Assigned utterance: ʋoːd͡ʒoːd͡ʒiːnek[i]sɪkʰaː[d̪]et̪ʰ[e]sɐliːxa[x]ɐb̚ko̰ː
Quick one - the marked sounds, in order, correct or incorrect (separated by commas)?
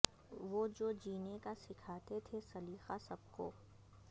incorrect, incorrect, correct, incorrect